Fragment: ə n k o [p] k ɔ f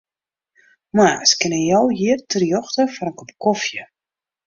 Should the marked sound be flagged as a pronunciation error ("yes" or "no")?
no